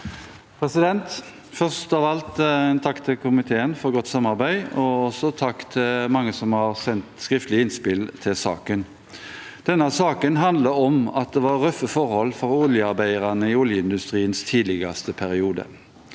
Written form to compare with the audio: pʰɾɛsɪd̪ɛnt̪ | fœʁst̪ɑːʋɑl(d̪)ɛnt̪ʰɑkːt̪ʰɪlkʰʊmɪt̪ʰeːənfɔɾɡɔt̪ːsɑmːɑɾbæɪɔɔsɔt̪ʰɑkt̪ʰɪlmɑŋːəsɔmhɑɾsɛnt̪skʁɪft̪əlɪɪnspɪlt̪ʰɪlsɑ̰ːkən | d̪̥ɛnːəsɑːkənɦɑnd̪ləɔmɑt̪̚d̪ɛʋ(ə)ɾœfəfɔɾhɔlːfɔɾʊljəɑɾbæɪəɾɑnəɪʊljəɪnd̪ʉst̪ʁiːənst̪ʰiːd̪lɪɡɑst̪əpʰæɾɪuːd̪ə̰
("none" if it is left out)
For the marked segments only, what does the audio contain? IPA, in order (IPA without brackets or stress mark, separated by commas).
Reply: t̪, ɑ